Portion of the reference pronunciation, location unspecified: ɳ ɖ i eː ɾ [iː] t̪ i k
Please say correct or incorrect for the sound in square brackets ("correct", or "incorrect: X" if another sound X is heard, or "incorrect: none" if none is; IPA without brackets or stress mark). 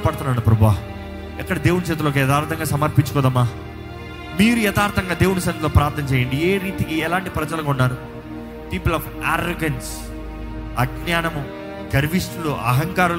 correct